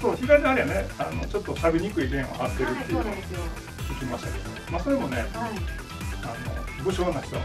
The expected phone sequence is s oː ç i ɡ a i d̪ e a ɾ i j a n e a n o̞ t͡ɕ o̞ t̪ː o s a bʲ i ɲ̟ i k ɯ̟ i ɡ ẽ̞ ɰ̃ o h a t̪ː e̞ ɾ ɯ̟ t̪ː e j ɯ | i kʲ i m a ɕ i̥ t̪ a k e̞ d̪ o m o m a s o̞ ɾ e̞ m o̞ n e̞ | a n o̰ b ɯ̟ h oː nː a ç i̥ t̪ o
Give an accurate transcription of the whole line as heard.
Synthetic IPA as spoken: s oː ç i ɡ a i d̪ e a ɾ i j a n e a n o̞ t͡ɕ o̞ t̪ː o s a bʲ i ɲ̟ i k ɯ̟ i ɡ ẽ̞ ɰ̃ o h a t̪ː e̞ ɾ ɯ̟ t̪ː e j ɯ | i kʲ i m a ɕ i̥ t̪ a k e̞ d̪ o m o m a s o̞ ɾ e̞ m o̞ n e̞ | a n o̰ b ɯ̟ ɕ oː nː a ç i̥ t̪ o